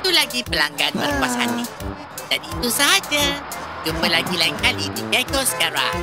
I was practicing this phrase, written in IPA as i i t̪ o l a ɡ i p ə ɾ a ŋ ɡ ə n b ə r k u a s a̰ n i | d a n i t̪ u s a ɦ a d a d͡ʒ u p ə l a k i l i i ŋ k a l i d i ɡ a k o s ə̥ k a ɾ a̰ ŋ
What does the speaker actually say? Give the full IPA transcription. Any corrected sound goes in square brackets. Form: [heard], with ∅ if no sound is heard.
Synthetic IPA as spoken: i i t̪ [u] l a ɡ i p ə [l] a ŋ ɡ [a] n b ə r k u a s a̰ n i | d a n i t̪ u s a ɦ a [d͡ʒ] a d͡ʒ u p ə l a [ɡ] i l [a] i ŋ k a l i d i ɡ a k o s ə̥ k a ɾ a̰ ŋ